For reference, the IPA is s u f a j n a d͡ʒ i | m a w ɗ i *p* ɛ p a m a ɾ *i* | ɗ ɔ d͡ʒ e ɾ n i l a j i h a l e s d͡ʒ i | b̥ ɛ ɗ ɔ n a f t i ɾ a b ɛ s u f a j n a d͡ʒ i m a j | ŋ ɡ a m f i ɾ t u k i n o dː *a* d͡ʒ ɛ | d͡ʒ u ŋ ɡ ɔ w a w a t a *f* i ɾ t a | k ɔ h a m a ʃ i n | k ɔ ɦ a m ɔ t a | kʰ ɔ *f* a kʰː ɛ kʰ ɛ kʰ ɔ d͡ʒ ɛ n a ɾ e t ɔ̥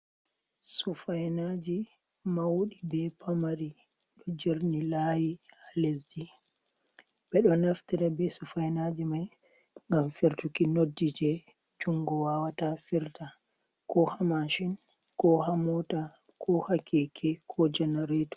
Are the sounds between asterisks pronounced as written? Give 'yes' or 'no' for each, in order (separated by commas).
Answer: no, yes, no, yes, no